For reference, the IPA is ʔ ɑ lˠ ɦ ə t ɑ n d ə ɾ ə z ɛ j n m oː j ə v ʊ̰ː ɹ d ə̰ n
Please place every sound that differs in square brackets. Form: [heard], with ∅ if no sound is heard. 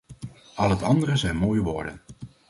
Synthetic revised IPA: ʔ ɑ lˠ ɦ ə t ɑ n d ə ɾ ə z ɛ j n m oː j ə [ʋ] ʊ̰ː ɹ d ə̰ n